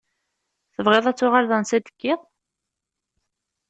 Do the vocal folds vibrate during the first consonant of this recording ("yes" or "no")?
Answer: no